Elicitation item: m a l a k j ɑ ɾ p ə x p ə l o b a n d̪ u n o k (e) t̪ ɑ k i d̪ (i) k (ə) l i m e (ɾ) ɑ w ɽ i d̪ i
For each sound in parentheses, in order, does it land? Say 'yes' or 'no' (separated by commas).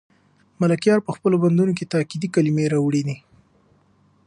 yes, yes, no, yes